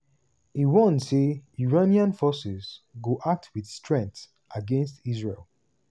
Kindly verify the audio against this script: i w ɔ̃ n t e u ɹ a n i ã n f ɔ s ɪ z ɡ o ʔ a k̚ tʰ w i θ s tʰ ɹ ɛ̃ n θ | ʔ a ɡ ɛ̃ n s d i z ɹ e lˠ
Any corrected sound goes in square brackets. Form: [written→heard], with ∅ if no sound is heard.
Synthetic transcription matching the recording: i w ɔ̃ n [t→s] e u ɹ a n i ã n f ɔ s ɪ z ɡ o ʔ a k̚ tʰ w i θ s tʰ ɹ ɛ̃ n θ | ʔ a ɡ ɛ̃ n s [d→t] i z ɹ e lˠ